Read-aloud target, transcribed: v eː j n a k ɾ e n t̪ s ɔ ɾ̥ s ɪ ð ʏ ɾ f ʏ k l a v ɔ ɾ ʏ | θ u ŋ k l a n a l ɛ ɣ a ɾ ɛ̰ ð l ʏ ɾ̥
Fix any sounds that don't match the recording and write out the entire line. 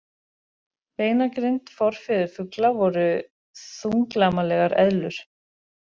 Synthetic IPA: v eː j n a k ɾ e n t̪ f ɔ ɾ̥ f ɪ ð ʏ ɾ f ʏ k l a v ɔ ɾ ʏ | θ u ŋ k l a m a l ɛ ɣ a ɾ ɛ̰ ð l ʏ ɾ̥